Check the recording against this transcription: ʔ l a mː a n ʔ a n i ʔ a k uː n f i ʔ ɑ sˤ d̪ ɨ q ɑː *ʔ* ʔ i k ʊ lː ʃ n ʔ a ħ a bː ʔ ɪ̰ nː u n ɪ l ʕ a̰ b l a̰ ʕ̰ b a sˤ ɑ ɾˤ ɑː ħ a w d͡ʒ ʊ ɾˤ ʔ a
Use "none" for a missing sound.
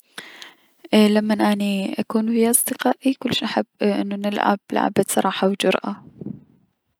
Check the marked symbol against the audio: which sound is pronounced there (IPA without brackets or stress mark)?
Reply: ʔ